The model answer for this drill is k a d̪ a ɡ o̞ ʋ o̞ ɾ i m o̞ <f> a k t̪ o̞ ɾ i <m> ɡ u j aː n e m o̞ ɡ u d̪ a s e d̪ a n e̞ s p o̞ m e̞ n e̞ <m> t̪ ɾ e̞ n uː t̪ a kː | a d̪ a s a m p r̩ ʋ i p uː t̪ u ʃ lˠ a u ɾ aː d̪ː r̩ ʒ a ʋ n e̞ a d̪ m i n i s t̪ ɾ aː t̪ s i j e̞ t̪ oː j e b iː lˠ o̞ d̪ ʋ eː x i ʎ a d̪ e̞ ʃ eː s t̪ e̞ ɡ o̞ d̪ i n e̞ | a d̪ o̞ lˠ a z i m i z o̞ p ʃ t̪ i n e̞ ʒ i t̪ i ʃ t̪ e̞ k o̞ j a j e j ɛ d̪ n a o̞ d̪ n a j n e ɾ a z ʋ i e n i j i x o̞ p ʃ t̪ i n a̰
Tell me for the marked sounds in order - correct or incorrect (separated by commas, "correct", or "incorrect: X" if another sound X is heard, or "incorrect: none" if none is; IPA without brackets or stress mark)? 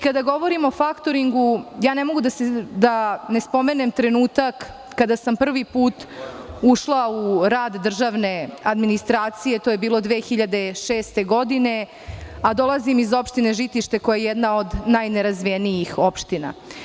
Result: correct, incorrect: ŋ, correct